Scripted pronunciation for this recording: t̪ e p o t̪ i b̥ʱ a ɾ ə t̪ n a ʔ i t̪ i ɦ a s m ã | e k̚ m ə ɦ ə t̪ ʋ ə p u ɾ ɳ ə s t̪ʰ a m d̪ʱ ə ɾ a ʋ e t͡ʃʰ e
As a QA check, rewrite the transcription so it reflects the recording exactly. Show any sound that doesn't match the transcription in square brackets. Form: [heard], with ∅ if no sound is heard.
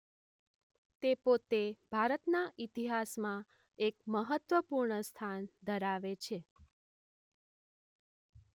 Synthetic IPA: t̪ e p o t̪ [e] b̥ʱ a ɾ ə t̪ n a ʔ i t̪ i ɦ a s m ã | e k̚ m ə ɦ ə t̪ ʋ ə p u ɾ ɳ ə s t̪ʰ a [n] d̪ʱ ə ɾ a ʋ e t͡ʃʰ e